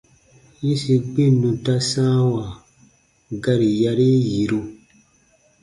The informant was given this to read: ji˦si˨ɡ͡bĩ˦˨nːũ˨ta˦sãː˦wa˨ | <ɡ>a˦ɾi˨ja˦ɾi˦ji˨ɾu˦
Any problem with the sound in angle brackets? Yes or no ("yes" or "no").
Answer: no